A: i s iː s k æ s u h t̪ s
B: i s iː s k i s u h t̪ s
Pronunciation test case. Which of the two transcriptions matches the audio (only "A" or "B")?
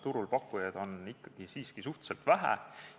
B